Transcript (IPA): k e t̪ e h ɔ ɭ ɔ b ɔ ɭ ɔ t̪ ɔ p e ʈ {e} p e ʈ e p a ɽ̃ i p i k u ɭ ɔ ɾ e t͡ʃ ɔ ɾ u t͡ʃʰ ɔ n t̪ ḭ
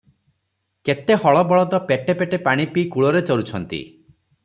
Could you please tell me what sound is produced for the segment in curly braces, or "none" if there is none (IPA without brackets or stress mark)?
e